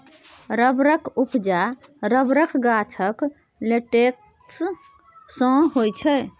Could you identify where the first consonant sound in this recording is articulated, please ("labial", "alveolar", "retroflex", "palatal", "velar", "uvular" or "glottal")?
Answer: alveolar